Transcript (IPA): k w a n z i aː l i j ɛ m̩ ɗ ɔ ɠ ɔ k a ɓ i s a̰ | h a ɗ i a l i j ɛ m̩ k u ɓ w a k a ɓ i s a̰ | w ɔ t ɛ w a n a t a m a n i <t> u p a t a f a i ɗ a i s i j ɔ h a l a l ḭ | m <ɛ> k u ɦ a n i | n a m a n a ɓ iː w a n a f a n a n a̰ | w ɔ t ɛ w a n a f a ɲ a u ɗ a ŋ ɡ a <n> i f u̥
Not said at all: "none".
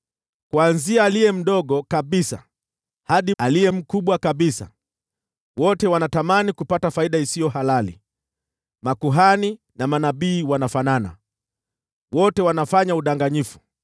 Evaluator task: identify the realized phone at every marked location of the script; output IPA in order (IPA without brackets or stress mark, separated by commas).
k, a, ɲ